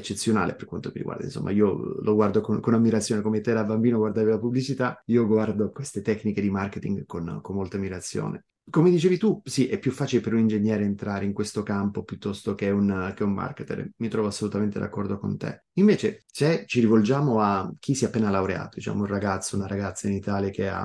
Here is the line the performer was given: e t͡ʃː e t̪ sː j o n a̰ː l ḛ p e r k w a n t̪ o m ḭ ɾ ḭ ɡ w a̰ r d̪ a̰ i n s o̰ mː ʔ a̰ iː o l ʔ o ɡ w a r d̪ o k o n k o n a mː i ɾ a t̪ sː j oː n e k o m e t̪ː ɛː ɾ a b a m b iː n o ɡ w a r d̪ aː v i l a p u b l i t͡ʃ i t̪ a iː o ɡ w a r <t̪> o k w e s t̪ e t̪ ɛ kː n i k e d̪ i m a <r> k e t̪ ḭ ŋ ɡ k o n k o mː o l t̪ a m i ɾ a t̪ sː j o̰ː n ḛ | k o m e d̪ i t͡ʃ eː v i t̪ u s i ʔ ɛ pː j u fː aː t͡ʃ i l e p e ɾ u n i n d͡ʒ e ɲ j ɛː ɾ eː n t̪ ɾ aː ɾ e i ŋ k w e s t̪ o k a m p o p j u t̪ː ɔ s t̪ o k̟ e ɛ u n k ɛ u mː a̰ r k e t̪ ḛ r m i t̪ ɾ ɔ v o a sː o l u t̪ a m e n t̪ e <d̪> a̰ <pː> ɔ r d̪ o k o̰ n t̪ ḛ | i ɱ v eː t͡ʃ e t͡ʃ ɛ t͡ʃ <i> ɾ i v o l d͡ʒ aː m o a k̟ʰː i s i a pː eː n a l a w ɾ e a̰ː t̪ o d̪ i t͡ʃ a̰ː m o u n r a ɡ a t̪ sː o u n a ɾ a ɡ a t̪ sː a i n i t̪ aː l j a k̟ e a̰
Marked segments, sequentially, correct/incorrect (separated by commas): incorrect, correct, correct, incorrect, correct